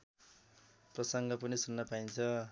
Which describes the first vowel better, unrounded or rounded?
unrounded